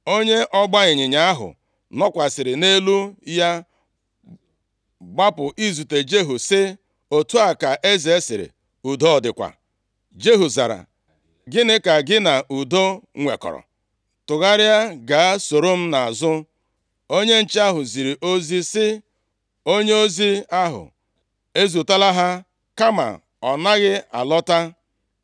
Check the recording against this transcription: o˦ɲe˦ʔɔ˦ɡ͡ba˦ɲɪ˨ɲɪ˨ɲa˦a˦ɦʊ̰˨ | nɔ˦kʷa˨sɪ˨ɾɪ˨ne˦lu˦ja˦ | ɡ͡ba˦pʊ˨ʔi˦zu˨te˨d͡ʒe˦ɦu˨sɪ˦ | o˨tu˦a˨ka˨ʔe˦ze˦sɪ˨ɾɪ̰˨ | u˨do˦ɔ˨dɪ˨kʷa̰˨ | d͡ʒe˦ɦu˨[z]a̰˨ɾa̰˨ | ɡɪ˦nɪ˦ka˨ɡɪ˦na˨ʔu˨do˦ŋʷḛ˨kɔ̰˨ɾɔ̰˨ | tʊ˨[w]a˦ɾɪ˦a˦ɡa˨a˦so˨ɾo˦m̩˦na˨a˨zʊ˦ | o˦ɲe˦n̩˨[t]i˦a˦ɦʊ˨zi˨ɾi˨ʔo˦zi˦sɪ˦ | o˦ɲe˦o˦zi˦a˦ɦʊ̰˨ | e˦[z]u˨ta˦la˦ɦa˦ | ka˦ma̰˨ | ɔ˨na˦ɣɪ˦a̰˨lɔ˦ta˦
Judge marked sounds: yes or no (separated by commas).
yes, no, no, yes